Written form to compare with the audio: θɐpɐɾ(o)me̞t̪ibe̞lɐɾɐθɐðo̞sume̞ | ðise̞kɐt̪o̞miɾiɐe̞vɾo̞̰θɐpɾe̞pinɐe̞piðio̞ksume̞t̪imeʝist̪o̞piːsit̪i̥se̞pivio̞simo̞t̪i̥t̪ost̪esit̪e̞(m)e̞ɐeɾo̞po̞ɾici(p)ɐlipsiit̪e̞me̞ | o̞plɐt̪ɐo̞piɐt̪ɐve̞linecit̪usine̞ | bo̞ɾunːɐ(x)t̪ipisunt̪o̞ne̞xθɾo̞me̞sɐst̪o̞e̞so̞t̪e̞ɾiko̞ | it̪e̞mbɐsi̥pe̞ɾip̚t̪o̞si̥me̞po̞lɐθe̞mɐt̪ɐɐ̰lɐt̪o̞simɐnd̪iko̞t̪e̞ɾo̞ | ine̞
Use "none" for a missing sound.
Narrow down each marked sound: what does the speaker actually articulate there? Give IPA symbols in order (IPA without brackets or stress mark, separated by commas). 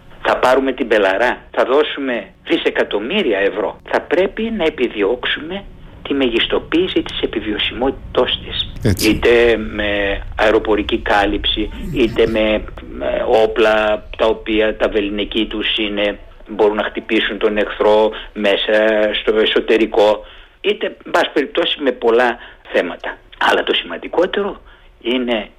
u, m, k, x